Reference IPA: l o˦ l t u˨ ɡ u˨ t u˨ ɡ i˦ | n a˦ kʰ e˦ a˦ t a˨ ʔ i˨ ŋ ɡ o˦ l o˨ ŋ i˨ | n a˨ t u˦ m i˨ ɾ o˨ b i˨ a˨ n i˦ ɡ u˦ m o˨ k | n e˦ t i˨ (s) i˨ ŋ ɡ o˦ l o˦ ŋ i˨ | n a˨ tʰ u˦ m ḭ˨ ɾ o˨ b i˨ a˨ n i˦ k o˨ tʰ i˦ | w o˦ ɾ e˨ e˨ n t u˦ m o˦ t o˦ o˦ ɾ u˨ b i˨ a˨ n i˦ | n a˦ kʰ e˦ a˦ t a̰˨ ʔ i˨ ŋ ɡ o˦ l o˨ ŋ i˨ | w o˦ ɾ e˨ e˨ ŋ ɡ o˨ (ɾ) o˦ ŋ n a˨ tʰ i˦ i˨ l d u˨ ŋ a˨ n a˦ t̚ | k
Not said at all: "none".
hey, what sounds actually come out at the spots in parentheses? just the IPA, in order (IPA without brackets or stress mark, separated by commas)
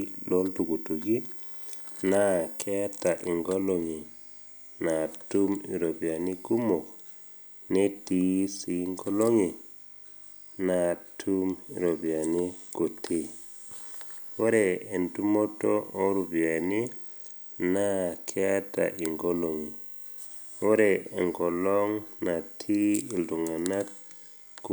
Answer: s, l